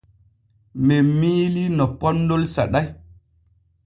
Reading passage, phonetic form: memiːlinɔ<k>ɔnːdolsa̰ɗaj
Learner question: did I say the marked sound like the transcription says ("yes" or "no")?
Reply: no